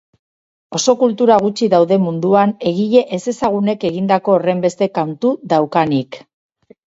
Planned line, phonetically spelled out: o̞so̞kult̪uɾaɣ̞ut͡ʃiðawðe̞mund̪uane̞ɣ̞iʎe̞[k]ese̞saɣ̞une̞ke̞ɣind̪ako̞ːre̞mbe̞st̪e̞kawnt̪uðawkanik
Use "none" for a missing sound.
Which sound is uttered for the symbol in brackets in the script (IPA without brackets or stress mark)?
ʔ